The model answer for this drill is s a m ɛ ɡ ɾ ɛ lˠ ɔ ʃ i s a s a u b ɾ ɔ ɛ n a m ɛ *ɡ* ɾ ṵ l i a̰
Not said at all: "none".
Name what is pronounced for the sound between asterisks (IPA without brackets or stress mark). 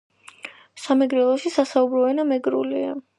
ɡ